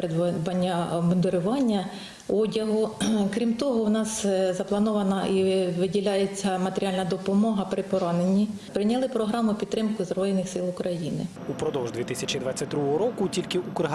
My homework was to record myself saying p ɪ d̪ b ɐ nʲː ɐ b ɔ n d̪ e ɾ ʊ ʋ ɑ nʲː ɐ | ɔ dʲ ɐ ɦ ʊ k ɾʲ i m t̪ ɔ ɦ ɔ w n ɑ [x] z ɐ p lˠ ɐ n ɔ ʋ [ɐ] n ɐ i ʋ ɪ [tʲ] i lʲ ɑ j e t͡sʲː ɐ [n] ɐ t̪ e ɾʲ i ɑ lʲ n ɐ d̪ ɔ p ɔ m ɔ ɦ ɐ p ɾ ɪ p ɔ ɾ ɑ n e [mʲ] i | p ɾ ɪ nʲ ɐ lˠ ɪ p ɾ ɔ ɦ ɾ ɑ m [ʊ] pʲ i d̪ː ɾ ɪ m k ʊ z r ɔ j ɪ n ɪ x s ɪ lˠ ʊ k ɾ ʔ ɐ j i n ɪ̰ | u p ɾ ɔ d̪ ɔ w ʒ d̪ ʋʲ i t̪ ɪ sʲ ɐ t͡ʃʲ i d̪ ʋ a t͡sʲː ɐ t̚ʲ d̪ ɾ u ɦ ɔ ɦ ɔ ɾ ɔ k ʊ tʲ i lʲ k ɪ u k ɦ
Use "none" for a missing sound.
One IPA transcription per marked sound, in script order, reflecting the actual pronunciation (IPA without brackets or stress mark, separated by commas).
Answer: s, ɐ, dʲ, m, nʲ, ʊ